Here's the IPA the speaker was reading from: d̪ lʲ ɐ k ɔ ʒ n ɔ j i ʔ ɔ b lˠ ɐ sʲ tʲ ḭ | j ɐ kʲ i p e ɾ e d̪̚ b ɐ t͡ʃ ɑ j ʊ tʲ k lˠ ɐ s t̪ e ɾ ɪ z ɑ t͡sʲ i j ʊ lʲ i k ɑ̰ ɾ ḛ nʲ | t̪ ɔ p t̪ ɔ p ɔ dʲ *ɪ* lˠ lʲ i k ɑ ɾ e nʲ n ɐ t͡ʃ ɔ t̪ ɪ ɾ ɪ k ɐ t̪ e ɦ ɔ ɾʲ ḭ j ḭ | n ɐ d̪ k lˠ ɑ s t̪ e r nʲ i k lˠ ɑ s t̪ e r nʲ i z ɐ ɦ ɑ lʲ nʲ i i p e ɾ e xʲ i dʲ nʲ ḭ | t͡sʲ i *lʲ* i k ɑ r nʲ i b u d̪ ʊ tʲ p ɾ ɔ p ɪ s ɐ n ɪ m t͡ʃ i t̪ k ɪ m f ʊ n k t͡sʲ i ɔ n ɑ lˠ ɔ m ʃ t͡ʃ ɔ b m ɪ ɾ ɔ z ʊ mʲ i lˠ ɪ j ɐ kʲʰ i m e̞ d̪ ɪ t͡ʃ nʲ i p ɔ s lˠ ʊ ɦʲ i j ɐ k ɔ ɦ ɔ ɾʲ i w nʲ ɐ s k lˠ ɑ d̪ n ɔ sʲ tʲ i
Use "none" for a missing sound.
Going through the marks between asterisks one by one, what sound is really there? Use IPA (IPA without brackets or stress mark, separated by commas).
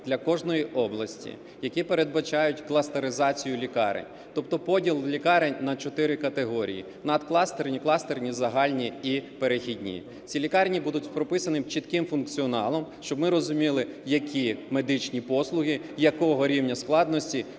i, lʲ